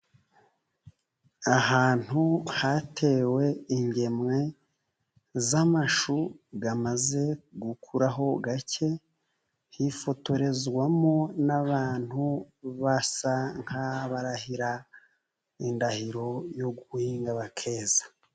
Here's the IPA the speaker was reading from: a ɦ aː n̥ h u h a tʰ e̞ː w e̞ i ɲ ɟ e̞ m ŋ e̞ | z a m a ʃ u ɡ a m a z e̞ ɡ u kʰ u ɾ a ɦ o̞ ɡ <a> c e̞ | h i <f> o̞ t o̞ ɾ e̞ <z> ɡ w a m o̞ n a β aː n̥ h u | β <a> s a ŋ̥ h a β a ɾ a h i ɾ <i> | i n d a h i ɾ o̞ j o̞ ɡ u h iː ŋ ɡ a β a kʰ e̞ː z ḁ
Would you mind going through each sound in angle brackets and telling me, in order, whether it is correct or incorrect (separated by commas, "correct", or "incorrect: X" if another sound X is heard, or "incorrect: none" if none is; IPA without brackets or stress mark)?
correct, correct, correct, correct, incorrect: a